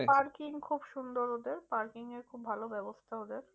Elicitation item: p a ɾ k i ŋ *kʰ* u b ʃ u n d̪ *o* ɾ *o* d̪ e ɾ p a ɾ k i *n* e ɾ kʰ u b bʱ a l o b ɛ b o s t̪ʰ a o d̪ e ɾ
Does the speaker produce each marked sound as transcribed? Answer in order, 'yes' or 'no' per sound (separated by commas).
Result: yes, yes, yes, no